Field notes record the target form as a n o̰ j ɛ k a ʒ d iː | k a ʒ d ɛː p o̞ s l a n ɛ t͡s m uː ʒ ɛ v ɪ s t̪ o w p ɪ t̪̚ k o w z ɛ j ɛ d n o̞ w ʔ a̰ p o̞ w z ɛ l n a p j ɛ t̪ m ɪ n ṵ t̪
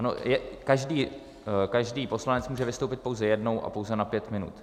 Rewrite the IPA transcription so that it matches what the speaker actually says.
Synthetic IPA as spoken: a n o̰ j ɛ k a ʒ d iː | k a ʒ d iː p o̞ s l a n ɛ t͡s m uː ʒ ɛ v ɪ s t̪ o w p ɪ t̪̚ p o w z ɛ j ɛ d n o̞ w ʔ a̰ p o̞ w z ɛ n a p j ɛ t̪ m ɪ n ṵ t̪